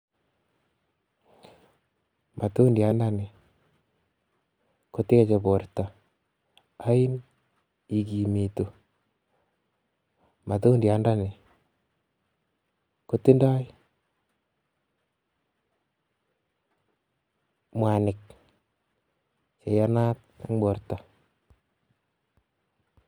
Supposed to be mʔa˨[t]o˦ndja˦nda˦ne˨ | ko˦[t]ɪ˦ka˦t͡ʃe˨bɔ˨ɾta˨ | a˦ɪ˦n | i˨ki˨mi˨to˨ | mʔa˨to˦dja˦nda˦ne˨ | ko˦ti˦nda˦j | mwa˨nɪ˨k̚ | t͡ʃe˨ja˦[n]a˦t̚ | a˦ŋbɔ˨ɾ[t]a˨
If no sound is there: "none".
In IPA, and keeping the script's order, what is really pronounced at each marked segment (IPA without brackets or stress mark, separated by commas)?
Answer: t, t, n, t